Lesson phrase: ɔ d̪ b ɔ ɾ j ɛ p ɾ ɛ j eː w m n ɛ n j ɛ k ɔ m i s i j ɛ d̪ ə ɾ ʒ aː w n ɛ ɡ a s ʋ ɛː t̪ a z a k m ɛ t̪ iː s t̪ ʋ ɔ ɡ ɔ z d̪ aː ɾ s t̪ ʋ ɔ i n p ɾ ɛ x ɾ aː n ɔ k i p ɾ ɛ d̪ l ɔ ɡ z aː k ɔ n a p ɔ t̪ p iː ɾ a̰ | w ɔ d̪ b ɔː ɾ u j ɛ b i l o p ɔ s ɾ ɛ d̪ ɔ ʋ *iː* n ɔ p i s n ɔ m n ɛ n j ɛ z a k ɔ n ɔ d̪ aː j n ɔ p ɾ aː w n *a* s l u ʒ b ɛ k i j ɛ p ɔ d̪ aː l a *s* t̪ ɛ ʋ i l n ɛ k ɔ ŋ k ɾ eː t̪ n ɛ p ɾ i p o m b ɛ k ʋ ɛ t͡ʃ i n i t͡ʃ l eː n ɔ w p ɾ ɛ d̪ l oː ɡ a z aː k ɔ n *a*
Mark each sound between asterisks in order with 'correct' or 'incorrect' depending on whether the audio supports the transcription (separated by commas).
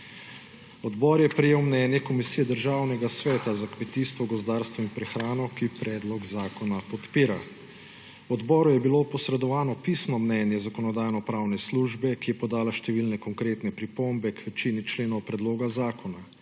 incorrect, incorrect, incorrect, correct